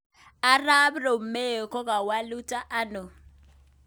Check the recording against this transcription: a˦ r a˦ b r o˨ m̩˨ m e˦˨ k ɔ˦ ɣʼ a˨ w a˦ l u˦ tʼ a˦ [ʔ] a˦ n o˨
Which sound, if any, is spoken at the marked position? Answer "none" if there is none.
ʔ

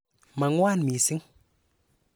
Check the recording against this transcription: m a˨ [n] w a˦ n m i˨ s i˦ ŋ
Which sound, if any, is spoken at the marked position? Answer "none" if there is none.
ŋ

